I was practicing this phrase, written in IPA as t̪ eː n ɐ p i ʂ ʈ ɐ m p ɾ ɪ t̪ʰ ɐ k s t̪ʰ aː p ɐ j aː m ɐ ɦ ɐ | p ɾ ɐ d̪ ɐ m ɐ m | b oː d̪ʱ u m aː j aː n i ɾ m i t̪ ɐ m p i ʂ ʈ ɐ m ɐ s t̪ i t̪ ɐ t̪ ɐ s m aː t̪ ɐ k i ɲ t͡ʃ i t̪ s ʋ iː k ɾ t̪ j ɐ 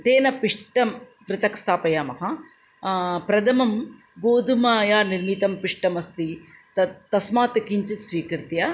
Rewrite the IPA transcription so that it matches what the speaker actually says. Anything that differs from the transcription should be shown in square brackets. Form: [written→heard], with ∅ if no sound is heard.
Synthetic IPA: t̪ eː n ɐ p i ʂ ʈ ɐ m p ɾ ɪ [t̪ʰ→t̪] ɐ k s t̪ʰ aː p ɐ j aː m ɐ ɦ ɐ | p ɾ ɐ d̪ ɐ m ɐ m | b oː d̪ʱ u m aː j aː n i ɾ m i t̪ ɐ m p i ʂ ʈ ɐ m ɐ s t̪ i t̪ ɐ t̪ ɐ s m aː t̪ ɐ k i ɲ t͡ʃ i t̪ s ʋ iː k ɾ t̪ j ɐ